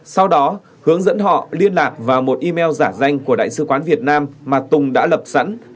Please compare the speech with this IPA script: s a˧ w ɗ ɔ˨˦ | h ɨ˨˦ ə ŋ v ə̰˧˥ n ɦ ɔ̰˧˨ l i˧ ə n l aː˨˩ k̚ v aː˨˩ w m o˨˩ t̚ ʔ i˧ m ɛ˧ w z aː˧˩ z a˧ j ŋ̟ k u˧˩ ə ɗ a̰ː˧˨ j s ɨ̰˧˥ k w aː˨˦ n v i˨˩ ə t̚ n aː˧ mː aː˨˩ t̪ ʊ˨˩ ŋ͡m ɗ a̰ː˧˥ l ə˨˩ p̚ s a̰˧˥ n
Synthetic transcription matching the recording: s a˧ w ɗ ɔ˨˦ | h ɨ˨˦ ə ŋ z ə̰˧˥ n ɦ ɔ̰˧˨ l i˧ ə n l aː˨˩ k̚ v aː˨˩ w m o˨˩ t̚ ʔ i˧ m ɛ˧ w z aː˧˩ z a˧ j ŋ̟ k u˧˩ ə ɗ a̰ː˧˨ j s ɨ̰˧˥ k w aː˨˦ n v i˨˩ ə t̚ n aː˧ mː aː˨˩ t̪ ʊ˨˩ ŋ͡m ɗ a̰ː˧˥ l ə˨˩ p̚ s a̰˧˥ n